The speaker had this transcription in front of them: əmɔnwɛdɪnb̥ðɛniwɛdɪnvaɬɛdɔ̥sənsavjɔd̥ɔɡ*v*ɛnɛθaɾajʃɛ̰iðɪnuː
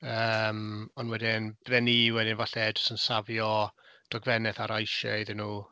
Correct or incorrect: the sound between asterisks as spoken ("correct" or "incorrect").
correct